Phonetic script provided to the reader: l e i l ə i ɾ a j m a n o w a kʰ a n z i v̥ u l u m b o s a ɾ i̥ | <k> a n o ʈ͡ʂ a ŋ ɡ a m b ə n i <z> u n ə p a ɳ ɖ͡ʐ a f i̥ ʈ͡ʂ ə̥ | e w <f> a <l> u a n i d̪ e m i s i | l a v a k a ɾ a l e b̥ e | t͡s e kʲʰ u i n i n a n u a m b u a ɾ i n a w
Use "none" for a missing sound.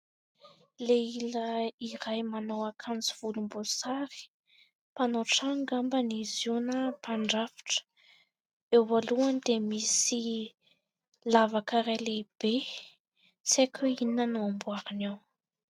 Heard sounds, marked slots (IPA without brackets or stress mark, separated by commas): p, z, v, l